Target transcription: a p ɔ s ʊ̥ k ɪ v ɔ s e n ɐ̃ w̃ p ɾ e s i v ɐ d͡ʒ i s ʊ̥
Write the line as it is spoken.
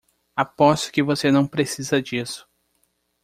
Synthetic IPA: a p ɔ s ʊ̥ k ɪ v o s e n ɐ̃ w̃ p ɾ e s i z ɐ d͡ʒ i s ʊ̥